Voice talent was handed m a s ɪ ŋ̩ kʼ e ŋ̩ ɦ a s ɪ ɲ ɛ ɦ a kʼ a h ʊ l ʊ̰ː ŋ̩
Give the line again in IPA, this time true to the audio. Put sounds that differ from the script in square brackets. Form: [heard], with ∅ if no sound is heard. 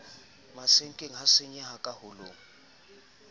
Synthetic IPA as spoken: m a s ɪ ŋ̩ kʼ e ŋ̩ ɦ a s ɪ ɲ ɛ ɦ a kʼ a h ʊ l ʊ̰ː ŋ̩